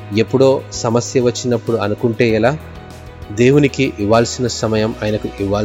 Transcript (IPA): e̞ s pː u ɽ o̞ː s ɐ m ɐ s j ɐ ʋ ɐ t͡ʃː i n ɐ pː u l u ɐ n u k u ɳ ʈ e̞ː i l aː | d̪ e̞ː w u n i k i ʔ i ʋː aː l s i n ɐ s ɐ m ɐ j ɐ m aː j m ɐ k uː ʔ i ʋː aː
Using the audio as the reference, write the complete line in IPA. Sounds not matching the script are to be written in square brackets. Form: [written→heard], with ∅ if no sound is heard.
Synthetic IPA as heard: e̞ [s→∅] pː u ɽ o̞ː s ɐ m ɐ s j ɐ ʋ ɐ t͡ʃː i n ɐ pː u [l→ɽ] u ɐ n u k u ɳ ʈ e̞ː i l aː | d̪ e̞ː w u n i k i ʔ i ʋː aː l s i n ɐ s ɐ m ɐ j ɐ m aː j [m→n] ɐ k [uː→u] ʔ i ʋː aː